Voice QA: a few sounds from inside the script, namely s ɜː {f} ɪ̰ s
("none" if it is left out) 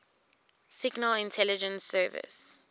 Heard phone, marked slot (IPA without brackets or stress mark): v